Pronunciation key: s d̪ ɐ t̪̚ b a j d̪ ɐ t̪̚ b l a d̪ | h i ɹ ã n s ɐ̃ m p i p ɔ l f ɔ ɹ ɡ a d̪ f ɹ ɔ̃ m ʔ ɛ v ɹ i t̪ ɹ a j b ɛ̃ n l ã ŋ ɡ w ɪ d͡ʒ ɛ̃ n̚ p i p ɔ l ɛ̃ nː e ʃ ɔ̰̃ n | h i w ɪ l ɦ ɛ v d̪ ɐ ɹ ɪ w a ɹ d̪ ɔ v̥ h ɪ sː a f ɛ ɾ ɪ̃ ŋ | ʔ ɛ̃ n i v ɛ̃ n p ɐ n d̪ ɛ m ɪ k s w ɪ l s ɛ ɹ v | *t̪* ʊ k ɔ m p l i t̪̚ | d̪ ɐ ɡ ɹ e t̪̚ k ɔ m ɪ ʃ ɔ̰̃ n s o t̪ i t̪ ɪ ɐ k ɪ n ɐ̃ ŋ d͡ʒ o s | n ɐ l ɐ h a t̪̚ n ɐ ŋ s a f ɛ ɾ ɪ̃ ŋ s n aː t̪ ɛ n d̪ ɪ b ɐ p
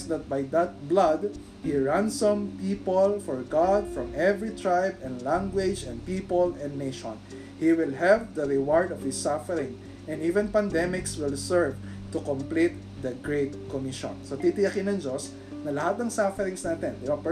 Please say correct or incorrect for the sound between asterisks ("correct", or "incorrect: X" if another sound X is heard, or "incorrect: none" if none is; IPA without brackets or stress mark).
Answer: correct